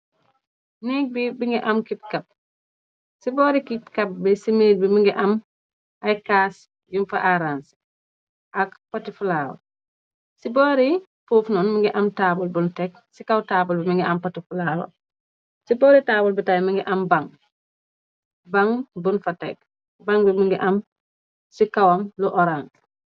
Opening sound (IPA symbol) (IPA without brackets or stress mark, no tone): n